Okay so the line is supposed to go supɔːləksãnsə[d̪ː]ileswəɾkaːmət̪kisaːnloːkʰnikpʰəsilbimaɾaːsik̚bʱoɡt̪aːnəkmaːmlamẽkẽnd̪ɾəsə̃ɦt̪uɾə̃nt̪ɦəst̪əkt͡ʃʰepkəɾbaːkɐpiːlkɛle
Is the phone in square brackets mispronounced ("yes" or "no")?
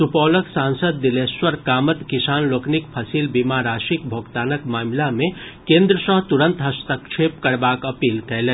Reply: no